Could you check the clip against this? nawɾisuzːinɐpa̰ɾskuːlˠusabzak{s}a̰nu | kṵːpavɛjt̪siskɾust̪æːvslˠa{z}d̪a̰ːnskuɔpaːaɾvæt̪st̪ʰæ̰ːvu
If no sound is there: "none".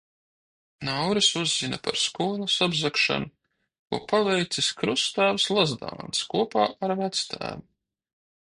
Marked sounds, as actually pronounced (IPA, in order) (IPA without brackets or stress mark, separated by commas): ʃ, z